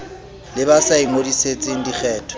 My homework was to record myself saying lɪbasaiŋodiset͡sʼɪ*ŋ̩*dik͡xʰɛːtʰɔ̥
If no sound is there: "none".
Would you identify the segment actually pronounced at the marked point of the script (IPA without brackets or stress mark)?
ŋ̩